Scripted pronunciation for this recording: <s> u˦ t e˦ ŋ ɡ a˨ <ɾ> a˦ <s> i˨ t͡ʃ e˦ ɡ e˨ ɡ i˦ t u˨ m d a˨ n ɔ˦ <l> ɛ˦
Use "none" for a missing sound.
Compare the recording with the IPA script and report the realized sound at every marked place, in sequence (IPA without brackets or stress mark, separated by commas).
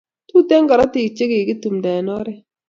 t, ɾ, t, ɾ